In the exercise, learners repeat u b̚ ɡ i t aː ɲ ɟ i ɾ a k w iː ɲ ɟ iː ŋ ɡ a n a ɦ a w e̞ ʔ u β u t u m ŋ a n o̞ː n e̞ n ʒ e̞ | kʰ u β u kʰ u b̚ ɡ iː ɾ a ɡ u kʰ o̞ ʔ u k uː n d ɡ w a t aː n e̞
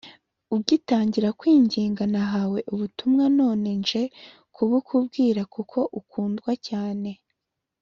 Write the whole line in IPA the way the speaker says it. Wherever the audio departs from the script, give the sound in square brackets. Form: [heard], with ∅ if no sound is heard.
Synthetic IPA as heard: u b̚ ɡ i t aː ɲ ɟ i ɾ a k w iː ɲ ɟ iː ŋ ɡ a n a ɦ a w e̞ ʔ u β u t u m ŋ a n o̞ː n e̞ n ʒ e̞ | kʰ u β u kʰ u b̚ ɡ iː ɾ a [k] u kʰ o̞ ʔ u k uː n d ɡ w a [c] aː n e̞